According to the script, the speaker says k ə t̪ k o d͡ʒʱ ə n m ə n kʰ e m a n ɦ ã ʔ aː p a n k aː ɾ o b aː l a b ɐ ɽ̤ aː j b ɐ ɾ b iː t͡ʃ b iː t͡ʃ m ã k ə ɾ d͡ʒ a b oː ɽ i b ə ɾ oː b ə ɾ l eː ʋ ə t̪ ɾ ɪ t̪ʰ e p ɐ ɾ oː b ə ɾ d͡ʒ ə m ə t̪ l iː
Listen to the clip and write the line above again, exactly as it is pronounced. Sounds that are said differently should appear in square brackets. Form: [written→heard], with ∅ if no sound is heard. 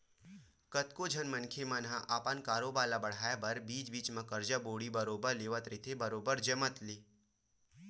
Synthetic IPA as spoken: k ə t̪ k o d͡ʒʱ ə n m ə n kʰ e m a n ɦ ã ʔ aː p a n k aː ɾ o b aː l a b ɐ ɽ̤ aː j b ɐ ɾ b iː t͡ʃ b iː t͡ʃ m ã k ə ɾ d͡ʒ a b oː ɽ i b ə ɾ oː b ə ɾ l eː ʋ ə t̪ ɾ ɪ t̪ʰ e [p→b] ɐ ɾ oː b ə ɾ d͡ʒ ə m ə t̪ l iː